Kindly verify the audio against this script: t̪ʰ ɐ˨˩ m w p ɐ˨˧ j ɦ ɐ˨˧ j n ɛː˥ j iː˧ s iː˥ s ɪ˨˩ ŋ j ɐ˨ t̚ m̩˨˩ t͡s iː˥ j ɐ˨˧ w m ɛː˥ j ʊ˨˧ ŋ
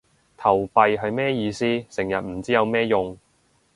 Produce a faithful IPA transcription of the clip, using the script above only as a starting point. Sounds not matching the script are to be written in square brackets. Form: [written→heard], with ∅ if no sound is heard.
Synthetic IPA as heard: t̪ʰ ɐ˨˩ [m→∅] w p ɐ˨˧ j ɦ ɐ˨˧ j [n→m] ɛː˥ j iː˧ s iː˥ s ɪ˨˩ ŋ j ɐ˨ t̚ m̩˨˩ t͡s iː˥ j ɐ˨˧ w m ɛː˥ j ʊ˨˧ ŋ

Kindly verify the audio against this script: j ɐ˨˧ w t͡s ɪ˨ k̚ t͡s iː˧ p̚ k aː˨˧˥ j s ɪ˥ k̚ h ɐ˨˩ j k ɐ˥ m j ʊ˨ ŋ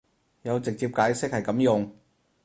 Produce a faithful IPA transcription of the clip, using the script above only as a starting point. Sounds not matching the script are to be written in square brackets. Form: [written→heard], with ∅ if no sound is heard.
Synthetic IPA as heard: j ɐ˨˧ w t͡s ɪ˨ k̚ t͡s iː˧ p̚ k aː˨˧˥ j s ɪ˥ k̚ h ɐ˨˩ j k [ɐ˥→ɐ˨˥] m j ʊ˨ ŋ

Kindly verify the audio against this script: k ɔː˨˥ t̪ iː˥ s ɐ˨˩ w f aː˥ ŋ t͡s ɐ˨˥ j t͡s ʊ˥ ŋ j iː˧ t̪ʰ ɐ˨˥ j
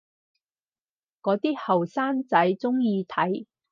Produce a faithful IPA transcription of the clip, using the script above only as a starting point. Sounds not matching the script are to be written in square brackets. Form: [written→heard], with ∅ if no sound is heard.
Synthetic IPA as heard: k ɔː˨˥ t̪ iː˥ [s→h] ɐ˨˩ w [f→s] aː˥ [ŋ→n] t͡s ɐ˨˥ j t͡s ʊ˥ ŋ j iː˧ t̪ʰ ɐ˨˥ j

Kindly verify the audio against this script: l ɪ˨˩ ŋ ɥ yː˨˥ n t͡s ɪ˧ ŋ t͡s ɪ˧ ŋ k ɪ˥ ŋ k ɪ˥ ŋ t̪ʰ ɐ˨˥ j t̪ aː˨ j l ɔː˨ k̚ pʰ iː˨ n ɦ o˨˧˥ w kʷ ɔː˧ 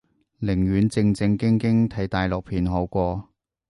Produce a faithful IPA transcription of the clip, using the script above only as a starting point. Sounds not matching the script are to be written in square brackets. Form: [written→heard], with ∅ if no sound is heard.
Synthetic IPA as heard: l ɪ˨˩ ŋ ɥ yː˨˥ n t͡s ɪ˧ ŋ t͡s ɪ˧ ŋ k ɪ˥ ŋ k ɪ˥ ŋ t̪ʰ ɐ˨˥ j t̪ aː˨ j l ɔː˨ k̚ pʰ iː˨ n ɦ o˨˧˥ w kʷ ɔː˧

